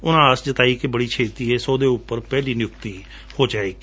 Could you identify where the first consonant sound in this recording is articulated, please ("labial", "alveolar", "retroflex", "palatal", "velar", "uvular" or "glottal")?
alveolar